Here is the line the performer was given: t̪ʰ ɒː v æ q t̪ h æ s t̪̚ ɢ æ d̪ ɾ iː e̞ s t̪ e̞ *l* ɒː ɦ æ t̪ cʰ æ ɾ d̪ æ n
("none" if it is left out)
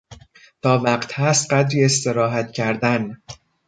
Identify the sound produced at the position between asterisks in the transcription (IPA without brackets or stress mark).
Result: ɾ